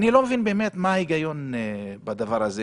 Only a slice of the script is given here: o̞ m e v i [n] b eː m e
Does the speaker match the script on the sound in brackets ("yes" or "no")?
yes